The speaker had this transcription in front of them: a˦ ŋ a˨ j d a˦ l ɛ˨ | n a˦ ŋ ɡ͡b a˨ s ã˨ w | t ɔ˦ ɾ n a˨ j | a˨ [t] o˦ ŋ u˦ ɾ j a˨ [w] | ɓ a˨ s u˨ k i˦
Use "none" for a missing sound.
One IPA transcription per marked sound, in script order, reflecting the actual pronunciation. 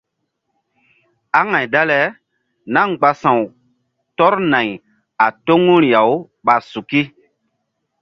t, w

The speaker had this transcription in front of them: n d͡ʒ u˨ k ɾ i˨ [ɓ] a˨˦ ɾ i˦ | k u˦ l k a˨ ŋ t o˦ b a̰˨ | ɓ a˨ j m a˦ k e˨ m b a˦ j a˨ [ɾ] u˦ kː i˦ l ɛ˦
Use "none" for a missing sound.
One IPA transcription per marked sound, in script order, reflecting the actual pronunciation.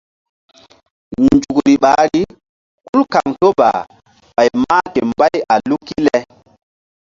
ɓ, l

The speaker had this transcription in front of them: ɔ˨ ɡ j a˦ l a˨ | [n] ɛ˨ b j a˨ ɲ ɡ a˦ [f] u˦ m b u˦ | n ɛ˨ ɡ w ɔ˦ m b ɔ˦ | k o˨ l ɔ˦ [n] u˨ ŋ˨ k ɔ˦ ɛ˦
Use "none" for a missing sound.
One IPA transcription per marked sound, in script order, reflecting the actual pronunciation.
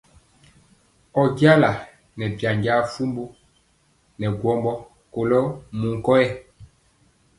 n, f, m

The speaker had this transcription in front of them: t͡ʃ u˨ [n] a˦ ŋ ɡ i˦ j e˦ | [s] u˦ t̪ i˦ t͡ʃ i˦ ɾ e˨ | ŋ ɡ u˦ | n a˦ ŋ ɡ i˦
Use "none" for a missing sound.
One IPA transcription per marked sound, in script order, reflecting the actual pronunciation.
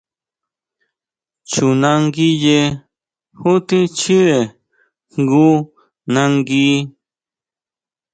n, h

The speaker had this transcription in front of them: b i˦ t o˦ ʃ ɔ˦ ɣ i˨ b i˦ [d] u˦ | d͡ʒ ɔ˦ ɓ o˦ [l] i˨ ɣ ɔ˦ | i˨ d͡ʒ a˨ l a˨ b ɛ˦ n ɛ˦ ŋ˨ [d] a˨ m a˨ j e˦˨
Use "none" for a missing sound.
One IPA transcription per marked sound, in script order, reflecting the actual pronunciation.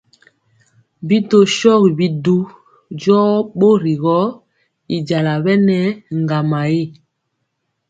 d, ɾ, ɡ

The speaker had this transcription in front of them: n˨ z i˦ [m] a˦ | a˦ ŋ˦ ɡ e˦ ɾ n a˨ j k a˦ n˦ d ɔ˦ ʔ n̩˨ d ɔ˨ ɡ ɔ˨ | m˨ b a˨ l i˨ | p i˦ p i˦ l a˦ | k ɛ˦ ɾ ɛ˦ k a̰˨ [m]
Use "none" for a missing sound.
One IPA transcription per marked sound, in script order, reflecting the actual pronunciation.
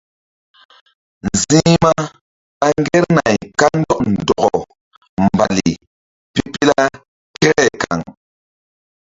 m, ŋ

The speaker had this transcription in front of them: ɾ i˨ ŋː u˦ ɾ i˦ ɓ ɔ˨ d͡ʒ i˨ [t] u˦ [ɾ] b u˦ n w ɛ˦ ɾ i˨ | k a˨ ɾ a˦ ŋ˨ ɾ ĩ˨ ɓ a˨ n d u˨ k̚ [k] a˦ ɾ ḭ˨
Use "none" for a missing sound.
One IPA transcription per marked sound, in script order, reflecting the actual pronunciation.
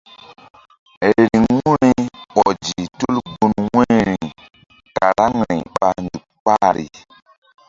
t, l, k͡p

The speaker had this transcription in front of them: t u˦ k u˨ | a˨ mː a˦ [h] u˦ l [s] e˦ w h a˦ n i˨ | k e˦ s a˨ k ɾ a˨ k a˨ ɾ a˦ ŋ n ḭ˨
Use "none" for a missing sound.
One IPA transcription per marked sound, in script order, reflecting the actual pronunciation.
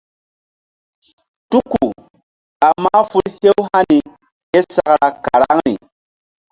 f, h

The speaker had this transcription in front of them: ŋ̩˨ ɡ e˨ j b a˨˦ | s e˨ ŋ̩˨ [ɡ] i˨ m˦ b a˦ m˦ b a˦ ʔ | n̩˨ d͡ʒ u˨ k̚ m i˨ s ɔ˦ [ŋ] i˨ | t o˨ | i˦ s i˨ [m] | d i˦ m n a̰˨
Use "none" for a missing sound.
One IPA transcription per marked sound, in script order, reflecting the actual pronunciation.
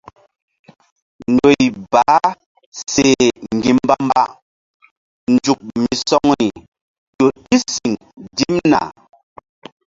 ɡ, ŋ, ŋ

